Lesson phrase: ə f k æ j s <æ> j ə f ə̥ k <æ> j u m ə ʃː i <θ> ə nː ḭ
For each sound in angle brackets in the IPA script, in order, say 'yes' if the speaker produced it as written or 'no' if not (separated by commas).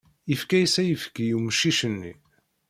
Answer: yes, no, no